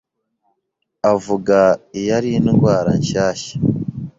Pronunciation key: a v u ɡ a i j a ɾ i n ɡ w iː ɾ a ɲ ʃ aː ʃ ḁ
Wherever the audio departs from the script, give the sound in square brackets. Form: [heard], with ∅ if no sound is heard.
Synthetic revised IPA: a v u ɡ a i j a ɾ i n ɡ w [aː] ɾ a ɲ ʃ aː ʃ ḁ